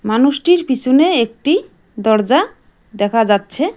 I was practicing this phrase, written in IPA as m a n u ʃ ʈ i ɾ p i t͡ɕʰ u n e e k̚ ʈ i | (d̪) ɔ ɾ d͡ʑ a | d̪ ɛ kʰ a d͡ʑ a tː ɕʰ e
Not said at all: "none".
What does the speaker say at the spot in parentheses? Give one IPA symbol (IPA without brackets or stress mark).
d̪